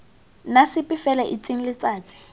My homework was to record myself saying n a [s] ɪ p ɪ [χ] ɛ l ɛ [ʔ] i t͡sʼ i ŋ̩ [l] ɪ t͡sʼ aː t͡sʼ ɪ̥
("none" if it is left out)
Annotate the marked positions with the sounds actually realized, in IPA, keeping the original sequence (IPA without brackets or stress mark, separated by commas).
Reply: s, f, ʔ, l